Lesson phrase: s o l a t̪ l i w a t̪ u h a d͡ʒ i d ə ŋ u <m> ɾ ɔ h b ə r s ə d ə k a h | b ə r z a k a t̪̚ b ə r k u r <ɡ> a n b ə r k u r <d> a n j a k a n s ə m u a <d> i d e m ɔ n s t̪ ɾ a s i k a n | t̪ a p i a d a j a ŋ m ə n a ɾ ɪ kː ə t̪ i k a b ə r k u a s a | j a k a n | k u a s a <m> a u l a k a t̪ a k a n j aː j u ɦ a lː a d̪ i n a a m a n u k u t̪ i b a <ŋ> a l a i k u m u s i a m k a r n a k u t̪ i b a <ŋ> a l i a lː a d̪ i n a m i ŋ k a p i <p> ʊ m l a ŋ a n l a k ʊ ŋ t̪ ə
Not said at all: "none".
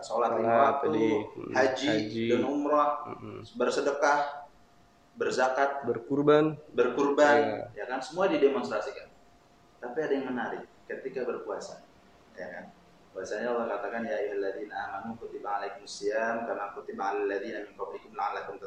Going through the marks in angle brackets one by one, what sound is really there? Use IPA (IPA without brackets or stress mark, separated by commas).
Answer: m, b, b, d, ɲ, ŋ, ŋ, k